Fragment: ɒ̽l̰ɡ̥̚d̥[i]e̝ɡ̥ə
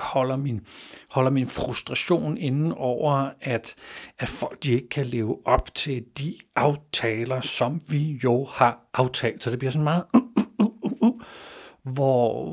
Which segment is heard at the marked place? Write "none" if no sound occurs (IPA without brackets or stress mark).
i